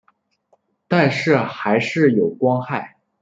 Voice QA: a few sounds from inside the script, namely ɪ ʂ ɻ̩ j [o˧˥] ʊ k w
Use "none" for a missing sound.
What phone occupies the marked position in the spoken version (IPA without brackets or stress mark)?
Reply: o˨˩